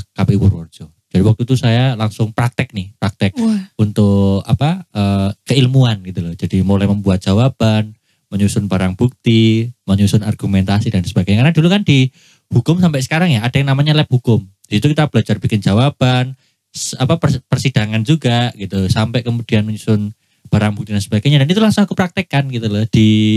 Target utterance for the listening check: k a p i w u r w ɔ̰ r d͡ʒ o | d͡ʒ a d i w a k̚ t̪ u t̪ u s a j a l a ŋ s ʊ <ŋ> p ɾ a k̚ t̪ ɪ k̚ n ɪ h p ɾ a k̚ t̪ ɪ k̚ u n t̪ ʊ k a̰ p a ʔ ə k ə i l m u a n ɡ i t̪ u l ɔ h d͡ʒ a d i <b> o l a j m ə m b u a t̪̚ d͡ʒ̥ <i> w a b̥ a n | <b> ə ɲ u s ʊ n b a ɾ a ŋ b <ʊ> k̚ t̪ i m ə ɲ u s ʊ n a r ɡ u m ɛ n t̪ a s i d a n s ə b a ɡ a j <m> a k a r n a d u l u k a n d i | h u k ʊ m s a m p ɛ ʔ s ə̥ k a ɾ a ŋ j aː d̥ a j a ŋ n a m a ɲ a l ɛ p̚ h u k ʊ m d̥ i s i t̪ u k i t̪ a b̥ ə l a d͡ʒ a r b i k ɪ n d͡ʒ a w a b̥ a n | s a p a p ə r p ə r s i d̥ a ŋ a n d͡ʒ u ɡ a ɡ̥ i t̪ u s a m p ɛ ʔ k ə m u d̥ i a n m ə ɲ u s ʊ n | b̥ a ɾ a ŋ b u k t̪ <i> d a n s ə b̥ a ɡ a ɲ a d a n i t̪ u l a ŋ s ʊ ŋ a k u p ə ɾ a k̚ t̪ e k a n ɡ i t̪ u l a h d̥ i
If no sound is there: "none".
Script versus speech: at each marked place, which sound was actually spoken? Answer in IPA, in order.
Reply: ŋ, m, a, m, u, ɲ, i

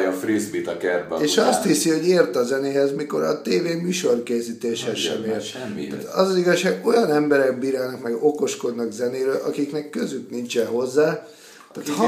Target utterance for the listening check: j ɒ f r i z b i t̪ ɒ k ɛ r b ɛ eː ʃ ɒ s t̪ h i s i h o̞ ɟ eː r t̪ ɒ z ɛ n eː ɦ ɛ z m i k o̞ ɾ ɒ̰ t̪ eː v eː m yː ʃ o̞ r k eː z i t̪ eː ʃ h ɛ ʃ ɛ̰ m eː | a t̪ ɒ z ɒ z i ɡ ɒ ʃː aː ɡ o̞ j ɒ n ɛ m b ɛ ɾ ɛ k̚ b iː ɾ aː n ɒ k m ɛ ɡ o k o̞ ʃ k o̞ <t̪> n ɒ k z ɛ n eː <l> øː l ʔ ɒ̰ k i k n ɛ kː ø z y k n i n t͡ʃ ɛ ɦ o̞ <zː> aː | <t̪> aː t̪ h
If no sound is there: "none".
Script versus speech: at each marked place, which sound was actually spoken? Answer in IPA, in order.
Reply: d̪, ɾ, zː, t̪

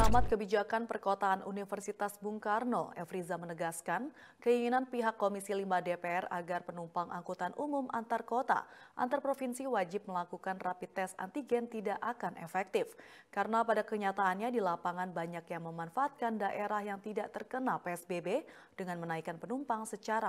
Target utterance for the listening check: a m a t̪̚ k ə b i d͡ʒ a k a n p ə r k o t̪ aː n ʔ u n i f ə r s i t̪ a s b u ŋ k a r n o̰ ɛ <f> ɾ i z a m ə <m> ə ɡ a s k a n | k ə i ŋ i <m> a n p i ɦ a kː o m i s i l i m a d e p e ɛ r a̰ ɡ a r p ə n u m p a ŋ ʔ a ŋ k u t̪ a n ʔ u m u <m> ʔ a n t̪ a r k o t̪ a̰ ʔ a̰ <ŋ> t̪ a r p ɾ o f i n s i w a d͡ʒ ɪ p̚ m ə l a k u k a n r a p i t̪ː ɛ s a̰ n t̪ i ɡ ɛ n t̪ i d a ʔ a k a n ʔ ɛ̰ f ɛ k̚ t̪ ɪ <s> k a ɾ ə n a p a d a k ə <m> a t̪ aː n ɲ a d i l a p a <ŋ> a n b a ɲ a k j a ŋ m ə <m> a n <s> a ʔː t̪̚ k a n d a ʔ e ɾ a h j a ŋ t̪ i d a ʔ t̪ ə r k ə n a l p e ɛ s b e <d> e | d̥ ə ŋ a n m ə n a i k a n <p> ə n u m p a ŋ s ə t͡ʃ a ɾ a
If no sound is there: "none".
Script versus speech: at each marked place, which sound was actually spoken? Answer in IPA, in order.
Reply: f, n, n, m, n, f, ɲ, ŋ, m, f, b, p

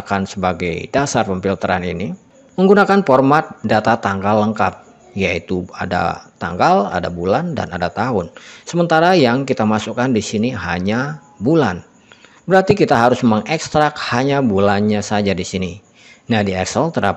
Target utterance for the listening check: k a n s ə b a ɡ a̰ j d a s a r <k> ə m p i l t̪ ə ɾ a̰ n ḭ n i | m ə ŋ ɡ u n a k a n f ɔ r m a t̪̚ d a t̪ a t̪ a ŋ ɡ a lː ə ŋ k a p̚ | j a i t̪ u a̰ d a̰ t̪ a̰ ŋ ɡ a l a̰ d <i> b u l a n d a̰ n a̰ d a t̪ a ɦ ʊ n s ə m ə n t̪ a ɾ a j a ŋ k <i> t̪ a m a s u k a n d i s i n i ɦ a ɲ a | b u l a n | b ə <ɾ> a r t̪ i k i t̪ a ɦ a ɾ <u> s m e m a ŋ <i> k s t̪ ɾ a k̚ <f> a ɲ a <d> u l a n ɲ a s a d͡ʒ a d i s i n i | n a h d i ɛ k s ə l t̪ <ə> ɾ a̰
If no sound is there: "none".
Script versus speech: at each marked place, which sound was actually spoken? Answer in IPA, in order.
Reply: p, a, i, ɾ, ʊ, ɛ, h, b, ə

